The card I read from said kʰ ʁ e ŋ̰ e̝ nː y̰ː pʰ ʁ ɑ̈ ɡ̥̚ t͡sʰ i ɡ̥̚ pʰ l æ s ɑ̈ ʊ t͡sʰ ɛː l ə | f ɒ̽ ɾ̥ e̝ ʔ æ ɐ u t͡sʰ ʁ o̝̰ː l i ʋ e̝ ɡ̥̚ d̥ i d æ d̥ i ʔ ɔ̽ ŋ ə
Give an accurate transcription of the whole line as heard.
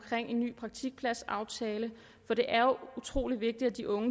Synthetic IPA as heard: kʰ ʁ e ŋ̰ e̝ nː y̰ː pʰ ʁ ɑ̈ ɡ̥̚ t͡sʰ i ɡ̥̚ pʰ l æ s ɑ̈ ʊ t͡sʰ ɛː l ə | f ɒ̽ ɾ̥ e̝ ʔ æ ɐ u t͡sʰ ʁ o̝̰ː l i ʋ e̝ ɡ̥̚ d̥ i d æ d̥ i ʔ ɔ̽ ŋ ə

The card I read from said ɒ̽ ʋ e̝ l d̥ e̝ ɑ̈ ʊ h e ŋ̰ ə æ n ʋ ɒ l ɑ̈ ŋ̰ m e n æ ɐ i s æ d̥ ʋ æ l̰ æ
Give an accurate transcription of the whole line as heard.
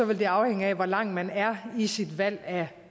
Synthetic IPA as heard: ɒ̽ ʋ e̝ l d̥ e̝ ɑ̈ ʊ h e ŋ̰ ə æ ʋ ɒ l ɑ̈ ŋ̰ m æ n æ ɐ i s i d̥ ʋ æ l̰ æ

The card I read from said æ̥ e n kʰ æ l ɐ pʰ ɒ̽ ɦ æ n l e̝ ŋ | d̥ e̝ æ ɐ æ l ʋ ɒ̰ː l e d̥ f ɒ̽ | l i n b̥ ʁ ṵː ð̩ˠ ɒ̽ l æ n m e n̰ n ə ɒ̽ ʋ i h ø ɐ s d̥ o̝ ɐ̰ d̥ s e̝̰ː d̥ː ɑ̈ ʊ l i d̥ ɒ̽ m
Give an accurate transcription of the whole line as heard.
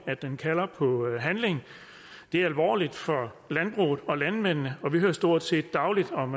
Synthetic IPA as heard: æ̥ e n kʰ æ l ɐ pʰ ɒ̽ ɦ æ n l e̝ ŋ | d̥ e̝ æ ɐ æ l ʋ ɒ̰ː l i d̥ f ɒ̽ | l æ n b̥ ʁ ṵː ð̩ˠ ɒ̽ l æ n m e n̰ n ə ɒ̽ ʋ i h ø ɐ s d̥ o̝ ɐ̰ d̥ s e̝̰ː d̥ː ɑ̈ ʊ l i d̥ ɒ̽ m

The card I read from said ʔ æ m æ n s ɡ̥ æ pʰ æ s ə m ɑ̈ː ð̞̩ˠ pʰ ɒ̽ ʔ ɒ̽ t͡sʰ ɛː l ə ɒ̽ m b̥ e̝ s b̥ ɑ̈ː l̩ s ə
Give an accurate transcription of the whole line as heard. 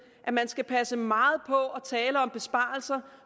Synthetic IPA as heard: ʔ æ m æ n s ɡ̥ æ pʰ æ s ə m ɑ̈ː ð̞̩ˠ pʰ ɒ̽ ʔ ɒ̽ t͡sʰ ɛː l ə ɒ̽ m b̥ e̝ s b̥ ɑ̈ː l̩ s ɐ

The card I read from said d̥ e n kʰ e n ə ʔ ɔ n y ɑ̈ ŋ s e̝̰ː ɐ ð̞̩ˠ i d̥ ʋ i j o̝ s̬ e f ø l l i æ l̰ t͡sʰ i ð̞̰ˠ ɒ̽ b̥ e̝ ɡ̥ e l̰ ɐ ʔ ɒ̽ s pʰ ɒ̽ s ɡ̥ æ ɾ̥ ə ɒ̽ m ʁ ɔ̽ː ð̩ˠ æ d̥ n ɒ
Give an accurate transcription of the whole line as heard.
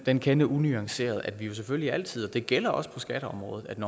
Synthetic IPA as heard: d̥ e n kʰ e n ə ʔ u n y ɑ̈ ŋ s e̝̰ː ɐ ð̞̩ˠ æ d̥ ʋ i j o̝ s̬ e f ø l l i æ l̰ t͡sʰ i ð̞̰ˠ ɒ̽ d̥ e̝ ɡ̥ e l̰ ɐ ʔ ɒ̽ s pʰ ɒ̽ s ɡ̥ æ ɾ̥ ə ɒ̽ m ʁ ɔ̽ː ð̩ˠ æ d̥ n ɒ

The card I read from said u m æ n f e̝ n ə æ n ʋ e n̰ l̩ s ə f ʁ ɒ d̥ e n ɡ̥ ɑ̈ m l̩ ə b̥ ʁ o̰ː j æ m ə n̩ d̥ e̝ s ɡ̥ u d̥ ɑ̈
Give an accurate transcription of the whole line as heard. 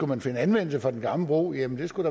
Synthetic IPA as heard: u m æ n f e̝ n ə æ n ʋ e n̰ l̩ s ə f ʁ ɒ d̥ e n ɡ̥ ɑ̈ m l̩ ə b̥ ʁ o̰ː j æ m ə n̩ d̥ e̝ s ɡ̥ u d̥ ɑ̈

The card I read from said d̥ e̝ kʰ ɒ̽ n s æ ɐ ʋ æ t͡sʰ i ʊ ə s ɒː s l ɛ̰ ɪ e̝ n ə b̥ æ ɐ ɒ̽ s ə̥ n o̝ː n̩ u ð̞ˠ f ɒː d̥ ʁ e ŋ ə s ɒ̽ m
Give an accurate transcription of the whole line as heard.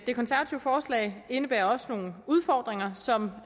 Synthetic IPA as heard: d̥ e̝ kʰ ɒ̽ n s æ ɐ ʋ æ t͡sʰ i ʊ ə f ɒː s l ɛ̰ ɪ e̝ n ə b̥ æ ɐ ɒ̽ s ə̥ n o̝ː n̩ u ð̞ˠ f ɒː d̥ ʁ e ŋ ɐ s ɒ̽ m

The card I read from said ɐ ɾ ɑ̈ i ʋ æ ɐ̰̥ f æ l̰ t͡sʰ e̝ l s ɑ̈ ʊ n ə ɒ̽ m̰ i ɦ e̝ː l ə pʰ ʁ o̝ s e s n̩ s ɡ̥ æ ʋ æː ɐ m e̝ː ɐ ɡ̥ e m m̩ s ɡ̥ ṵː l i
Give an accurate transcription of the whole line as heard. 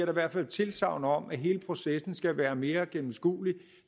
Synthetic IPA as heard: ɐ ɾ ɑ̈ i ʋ æ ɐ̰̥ f æ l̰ t͡sʰ e̝ l s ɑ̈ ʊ n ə ɒ̽ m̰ æ ɦ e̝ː l ə pʰ ʁ o̝ s e s n̩ s ɡ̥ æ ʋ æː ɐ m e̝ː ɐ ɡ̥ e m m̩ s ɡ̥ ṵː l i

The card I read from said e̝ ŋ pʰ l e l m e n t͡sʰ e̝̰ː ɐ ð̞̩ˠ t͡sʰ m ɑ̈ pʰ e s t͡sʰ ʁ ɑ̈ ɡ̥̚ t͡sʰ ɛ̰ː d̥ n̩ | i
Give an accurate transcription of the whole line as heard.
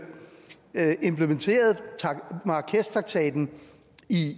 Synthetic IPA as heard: e̝ m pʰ l e m e n t͡sʰ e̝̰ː ɐ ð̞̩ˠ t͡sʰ m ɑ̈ kʰ e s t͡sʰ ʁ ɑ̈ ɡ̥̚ t͡sʰ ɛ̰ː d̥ n̩ | i

